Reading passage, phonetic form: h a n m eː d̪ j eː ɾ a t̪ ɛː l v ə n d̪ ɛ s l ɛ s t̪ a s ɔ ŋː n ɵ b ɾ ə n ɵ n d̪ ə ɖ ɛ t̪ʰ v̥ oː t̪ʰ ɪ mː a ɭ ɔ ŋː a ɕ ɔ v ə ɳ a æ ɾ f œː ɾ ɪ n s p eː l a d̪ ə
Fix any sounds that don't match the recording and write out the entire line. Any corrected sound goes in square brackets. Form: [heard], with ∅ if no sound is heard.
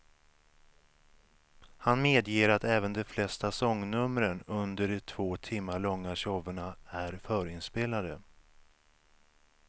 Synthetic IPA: h a n m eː d̪ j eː ɾ a t̪ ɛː [∅] v ə n d̪ ɛ [f] l ɛ s t̪ a s ɔ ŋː n ɵ [m] ɾ ə n ɵ n d̪ ə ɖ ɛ t̪ʰ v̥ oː t̪ʰ ɪ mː a ɭ ɔ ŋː a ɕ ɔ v ə ɳ a æ ɾ f œː ɾ ɪ n s p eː l a d̪ ə